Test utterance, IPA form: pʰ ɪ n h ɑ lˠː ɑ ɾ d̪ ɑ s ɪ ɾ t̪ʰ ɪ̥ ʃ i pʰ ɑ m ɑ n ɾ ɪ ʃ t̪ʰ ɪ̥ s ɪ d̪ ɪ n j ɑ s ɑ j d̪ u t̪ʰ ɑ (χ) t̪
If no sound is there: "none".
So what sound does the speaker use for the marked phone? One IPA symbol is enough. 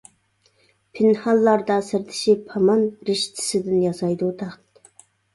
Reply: χ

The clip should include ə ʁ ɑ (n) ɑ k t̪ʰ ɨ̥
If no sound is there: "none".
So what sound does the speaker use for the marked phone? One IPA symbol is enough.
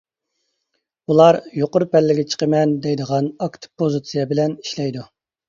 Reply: n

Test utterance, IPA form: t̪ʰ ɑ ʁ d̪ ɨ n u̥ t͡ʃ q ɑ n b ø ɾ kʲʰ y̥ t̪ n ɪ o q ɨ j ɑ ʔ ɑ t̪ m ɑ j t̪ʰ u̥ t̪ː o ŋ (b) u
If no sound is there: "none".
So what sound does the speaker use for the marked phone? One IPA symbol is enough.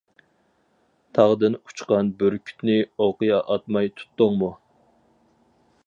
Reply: m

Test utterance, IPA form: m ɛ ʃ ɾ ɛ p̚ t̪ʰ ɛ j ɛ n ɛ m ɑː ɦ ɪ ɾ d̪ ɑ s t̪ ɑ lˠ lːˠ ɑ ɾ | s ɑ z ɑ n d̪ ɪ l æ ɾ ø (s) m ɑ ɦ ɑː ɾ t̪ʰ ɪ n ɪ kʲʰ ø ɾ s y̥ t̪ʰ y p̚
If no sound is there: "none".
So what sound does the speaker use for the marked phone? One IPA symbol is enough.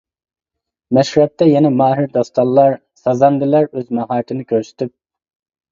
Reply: z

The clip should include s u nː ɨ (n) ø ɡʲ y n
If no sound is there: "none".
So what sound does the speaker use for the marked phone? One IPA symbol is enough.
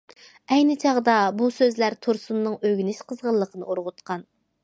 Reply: ŋ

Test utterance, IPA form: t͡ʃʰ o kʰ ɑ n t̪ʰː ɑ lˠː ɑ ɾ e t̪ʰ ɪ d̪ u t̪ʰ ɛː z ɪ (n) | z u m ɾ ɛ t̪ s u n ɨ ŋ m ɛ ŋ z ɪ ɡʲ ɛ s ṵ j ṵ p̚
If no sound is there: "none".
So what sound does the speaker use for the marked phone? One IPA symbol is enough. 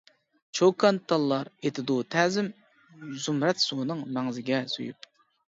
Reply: m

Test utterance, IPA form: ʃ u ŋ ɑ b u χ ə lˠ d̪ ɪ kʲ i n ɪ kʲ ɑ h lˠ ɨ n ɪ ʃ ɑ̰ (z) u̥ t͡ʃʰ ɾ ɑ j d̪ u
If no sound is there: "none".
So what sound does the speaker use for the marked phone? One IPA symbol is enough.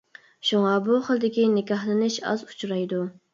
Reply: z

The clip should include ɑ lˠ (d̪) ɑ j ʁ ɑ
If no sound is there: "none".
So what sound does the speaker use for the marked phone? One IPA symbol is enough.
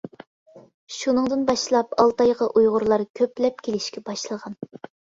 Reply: t̪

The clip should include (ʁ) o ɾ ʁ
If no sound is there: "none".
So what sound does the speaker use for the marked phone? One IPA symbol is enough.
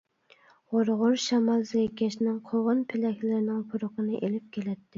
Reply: ʁ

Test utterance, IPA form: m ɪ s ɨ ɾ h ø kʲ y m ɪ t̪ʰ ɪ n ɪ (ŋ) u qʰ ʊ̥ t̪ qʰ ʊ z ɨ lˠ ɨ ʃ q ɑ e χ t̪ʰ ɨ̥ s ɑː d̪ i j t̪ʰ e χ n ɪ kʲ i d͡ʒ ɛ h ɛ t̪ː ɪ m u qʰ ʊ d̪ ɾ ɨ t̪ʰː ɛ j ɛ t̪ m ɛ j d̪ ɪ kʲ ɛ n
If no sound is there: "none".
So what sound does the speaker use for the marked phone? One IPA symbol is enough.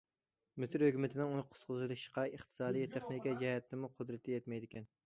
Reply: ŋ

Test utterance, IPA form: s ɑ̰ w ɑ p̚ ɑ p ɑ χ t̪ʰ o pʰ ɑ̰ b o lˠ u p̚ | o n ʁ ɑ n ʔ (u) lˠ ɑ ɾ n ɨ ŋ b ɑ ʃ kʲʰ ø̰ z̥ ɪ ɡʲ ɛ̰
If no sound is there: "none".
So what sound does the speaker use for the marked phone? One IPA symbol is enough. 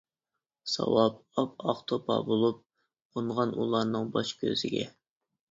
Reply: u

